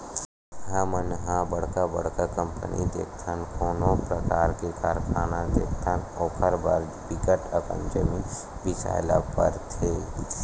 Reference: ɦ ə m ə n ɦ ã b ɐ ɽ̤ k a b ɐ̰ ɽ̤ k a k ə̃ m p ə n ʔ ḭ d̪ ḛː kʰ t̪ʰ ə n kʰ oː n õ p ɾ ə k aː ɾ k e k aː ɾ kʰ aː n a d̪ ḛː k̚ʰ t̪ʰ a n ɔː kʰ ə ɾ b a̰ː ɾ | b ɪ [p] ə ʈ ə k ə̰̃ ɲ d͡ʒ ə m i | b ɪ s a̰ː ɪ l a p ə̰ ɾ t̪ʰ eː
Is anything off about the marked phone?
yes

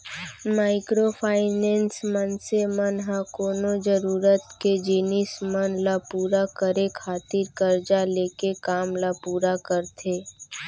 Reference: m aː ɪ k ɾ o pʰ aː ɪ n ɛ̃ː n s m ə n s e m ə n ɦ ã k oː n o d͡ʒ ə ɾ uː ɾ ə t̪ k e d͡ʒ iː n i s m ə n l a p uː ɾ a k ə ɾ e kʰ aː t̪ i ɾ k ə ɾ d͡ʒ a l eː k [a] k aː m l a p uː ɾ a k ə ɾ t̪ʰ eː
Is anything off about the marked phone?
yes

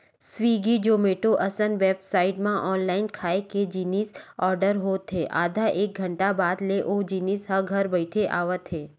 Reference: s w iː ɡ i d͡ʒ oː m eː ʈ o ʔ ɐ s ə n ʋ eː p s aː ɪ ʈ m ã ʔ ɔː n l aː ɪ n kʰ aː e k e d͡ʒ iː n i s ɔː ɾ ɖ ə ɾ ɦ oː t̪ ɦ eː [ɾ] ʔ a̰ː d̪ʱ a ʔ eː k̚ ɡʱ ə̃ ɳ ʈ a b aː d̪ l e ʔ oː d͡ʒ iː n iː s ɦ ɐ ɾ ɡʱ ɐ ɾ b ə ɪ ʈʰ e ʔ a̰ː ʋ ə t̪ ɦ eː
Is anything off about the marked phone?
yes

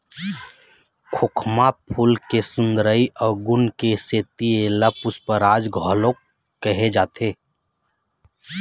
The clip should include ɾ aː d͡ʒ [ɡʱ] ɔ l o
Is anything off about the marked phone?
no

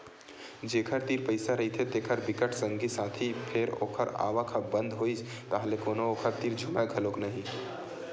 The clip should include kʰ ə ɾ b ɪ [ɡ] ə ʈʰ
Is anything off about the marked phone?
yes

